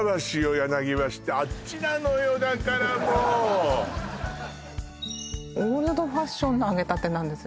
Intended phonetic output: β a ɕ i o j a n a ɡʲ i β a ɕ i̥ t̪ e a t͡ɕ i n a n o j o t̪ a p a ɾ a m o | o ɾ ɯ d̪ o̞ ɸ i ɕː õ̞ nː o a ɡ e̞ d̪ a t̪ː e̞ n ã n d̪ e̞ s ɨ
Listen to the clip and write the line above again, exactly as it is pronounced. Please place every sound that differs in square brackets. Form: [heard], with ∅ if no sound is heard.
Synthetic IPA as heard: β a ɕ i o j a n a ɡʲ i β a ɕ i̥ t̪ e a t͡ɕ i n a n o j o [d̪] a [k] a ɾ a m o | o ɾ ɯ d̪ o̞ ɸ [a] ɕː õ̞ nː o a ɡ e̞ [t̪] a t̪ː e̞ n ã n d̪ e̞ s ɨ

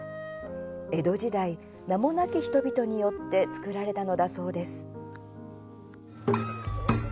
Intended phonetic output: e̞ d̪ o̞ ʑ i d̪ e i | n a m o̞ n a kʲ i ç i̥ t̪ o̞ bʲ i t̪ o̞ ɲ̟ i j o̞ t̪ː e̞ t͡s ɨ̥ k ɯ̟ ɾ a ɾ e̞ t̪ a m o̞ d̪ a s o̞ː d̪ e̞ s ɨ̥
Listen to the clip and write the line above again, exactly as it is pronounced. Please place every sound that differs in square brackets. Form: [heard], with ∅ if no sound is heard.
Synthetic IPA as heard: e̞ d̪ o̞ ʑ i d̪ [a] i | n a m o̞ n a kʲ i ç i̥ t̪ o̞ bʲ i t̪ o̞ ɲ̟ i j o̞ t̪ː e̞ t͡s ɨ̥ k ɯ̟ ɾ a ɾ e̞ t̪ a [n] o̞ d̪ a s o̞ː d̪ e̞ s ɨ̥

